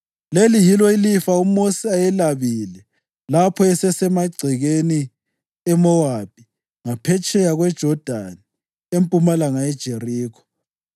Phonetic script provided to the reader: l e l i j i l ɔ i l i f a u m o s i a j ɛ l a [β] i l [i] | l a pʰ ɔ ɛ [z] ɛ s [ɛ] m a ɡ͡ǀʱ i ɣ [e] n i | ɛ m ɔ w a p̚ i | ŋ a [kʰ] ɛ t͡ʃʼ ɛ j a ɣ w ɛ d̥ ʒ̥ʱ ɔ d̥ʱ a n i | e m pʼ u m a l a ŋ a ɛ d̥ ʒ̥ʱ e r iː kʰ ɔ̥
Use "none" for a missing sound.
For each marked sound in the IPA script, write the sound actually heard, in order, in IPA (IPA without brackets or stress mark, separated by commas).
β, ɛ, s, ɛ, e, pʰ